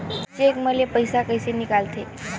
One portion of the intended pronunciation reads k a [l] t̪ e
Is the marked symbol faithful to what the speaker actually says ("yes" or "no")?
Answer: yes